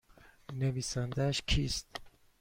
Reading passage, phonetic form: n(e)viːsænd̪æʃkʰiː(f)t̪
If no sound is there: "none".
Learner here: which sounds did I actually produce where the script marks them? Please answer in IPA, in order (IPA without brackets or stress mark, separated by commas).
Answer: e, s